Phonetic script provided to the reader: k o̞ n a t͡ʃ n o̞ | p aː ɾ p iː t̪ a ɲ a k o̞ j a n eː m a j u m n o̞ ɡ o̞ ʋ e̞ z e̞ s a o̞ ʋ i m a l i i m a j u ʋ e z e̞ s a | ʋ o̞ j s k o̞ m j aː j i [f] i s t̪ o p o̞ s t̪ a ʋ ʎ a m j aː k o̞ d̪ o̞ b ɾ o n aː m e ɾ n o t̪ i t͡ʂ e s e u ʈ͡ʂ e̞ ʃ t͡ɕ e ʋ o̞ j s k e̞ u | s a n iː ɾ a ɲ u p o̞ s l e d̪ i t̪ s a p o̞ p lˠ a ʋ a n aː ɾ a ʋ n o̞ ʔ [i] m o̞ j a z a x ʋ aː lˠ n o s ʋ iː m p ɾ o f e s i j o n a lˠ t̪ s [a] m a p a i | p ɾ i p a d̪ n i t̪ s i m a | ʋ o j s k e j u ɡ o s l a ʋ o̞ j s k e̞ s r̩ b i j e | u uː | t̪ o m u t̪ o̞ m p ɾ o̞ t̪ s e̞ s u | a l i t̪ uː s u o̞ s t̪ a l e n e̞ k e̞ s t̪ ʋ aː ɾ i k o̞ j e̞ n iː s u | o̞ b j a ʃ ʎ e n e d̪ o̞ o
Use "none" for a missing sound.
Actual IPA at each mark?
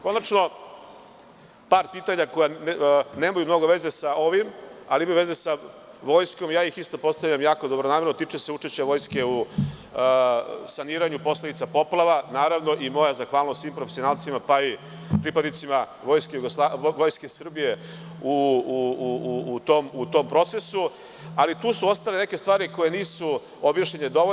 x, i, i

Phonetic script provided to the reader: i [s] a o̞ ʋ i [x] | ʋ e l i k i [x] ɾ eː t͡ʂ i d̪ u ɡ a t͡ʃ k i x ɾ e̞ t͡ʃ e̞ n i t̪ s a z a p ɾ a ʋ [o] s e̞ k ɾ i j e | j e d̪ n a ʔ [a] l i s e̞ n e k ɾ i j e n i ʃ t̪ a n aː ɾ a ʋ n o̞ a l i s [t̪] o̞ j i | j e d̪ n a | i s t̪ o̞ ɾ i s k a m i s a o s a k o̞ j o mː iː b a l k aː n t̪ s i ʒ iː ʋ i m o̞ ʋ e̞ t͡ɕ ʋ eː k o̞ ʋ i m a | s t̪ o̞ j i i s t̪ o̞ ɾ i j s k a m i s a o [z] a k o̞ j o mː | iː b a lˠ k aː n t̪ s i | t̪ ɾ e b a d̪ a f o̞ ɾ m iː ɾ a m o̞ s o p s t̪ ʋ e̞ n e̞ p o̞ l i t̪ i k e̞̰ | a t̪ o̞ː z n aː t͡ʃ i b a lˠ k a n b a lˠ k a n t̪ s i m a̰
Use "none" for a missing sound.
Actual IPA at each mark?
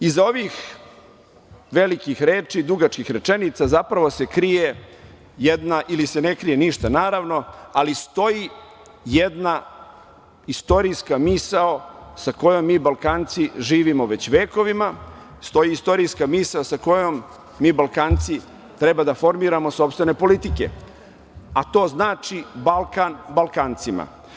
z, x, x, o, i, t̪, s

